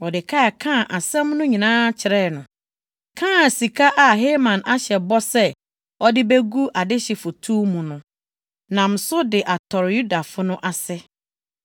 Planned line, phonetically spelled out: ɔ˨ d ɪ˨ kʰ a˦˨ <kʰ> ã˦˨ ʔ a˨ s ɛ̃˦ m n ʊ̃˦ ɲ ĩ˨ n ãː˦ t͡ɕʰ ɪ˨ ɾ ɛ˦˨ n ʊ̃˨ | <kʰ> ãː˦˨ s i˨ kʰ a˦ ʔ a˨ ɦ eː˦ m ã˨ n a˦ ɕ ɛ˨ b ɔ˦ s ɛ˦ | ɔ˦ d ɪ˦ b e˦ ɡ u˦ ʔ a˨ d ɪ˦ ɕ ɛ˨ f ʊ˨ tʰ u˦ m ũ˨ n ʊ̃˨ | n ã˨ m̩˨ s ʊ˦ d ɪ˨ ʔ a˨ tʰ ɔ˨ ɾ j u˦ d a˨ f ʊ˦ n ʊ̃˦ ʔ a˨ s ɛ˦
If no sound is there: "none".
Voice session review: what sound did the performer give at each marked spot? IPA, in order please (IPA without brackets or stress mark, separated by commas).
kʰ, kʰ